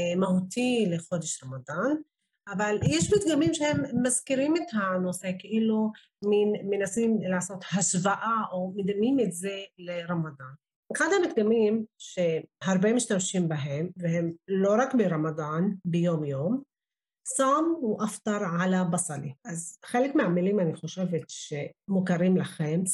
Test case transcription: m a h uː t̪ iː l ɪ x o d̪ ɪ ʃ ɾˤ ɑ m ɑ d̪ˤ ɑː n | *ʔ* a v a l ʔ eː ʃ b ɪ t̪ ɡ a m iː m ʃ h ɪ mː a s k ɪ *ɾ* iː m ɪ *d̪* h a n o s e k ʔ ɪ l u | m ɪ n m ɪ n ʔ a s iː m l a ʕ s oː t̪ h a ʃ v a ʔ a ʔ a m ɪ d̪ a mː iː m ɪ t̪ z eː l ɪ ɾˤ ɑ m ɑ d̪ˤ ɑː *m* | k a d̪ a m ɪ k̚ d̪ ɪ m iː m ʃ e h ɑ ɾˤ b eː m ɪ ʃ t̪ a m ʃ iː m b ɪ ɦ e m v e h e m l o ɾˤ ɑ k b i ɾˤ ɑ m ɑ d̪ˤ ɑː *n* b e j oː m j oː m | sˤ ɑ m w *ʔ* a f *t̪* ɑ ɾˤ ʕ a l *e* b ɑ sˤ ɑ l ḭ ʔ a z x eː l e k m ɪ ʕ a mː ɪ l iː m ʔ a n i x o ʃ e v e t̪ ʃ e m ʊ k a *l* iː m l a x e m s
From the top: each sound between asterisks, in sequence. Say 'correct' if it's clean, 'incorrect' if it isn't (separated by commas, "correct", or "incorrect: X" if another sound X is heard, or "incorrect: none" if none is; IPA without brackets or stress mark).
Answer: correct, correct, incorrect: t̪, incorrect: n, correct, correct, correct, incorrect: a, incorrect: ɾ